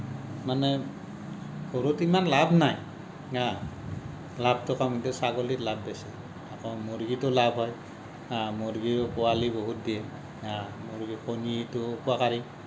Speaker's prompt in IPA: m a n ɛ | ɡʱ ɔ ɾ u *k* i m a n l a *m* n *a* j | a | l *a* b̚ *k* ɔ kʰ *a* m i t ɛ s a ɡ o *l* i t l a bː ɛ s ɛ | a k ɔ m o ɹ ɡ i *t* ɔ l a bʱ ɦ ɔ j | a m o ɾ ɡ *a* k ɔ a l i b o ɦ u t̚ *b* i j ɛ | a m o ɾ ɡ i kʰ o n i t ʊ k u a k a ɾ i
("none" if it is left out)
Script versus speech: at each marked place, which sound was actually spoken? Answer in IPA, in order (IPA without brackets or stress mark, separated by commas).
t, b, a, a, t, a, l, t, i, d